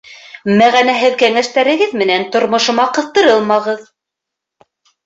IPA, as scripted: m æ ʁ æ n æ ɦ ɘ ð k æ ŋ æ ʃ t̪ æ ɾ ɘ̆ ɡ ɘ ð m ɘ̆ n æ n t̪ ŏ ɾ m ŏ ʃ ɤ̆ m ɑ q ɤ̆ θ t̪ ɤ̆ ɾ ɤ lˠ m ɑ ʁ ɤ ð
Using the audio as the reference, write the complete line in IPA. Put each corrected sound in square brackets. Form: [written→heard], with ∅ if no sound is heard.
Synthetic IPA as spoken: m æ ʁ æ n æ ɦ ɘ ð k æ ŋ æ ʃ t̪ æ ɾ ɘ̆ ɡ ɘ ð m ɘ̆ n æ n t̪ ŏ ɾ m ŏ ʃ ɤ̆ m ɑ q ɤ̆ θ t̪ ɤ̆ ɾ ɤ lˠ m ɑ ʁ ɤ ð